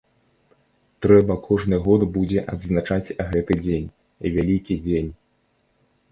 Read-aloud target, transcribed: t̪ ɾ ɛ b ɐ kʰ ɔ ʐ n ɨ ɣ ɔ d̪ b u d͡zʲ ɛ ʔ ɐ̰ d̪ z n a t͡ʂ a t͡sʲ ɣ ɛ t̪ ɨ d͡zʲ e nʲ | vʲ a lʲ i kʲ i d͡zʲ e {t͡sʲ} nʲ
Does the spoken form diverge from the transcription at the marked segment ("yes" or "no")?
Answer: yes